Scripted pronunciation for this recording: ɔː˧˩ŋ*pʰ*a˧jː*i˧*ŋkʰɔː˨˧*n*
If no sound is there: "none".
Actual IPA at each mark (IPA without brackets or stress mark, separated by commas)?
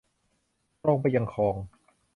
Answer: p, a˧, ŋ